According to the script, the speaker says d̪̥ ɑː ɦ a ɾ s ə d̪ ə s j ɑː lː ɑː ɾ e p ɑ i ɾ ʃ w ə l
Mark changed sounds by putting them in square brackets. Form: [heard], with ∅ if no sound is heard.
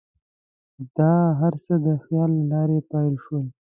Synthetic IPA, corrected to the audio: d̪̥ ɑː ɦ a ɾ s ə d̪ ə [x] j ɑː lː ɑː ɾ e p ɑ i [l] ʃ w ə l